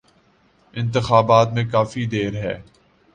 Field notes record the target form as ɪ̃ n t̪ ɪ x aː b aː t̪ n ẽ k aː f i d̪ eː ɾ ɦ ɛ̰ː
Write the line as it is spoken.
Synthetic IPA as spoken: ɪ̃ n t̪ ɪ x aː b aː t̪ m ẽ k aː f i d̪ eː ɾ ɦ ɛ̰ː